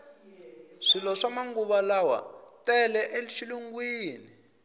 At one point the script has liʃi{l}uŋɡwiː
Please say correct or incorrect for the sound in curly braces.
correct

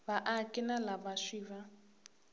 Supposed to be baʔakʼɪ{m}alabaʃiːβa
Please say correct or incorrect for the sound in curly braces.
incorrect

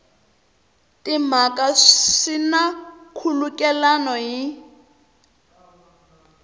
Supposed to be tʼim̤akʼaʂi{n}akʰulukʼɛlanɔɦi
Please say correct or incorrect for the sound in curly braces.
correct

